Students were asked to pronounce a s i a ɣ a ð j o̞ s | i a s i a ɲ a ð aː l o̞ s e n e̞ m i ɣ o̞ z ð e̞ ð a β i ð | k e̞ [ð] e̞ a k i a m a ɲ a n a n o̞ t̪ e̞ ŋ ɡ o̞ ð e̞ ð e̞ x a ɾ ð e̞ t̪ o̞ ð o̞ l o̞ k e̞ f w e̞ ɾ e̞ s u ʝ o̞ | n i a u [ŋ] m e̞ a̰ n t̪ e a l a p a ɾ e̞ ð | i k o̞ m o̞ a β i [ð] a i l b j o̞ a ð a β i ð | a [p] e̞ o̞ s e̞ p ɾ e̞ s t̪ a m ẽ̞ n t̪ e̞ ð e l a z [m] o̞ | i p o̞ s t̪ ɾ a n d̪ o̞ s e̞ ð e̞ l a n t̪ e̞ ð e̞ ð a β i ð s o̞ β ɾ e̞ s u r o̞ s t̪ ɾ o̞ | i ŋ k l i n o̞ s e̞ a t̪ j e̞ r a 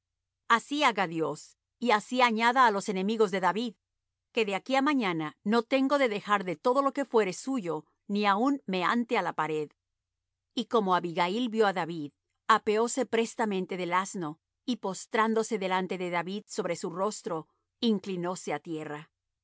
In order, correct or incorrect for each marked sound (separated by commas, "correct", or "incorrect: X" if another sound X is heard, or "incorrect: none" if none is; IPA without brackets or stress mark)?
correct, incorrect: n, incorrect: ɣ, correct, incorrect: n